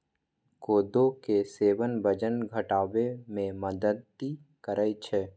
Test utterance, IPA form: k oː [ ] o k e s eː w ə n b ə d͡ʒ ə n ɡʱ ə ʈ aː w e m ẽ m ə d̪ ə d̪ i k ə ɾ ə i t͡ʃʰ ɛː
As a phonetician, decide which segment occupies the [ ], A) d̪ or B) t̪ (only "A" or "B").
A